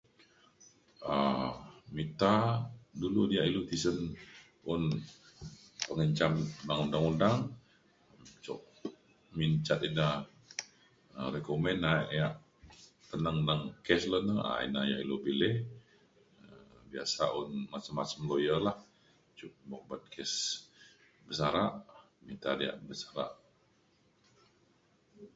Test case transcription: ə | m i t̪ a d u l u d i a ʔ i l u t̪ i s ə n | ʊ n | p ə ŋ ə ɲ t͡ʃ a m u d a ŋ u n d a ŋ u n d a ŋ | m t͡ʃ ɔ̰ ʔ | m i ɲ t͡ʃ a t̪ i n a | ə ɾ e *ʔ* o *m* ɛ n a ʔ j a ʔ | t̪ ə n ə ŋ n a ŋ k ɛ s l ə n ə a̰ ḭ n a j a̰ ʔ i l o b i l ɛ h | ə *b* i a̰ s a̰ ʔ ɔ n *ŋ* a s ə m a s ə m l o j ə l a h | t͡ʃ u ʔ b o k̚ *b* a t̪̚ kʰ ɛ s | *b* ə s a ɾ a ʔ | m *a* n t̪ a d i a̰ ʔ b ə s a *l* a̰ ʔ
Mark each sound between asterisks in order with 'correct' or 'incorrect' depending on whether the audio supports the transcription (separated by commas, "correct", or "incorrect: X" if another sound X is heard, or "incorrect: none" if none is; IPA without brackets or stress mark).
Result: incorrect: k, correct, correct, incorrect: m, correct, correct, incorrect: i, incorrect: ɾ